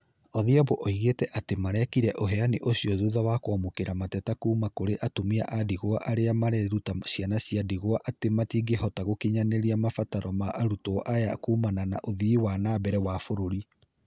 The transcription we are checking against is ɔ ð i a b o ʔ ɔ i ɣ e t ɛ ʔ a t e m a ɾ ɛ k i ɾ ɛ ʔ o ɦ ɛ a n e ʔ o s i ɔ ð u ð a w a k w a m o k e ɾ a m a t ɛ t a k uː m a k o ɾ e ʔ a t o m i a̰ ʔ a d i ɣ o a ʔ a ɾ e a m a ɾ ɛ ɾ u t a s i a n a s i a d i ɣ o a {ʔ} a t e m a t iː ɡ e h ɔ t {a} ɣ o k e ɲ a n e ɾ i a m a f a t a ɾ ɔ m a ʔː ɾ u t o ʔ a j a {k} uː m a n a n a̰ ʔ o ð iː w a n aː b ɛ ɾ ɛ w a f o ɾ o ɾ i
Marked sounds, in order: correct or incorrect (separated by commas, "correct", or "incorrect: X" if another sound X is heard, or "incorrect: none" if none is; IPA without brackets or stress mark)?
correct, correct, correct